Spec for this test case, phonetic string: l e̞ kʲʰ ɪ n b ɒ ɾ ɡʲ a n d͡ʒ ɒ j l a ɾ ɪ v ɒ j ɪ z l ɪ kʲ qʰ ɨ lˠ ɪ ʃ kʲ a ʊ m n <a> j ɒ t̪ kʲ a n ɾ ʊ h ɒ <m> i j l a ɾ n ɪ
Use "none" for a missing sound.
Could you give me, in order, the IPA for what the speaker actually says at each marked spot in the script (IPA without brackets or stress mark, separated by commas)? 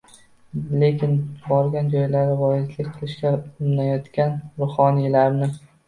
a, n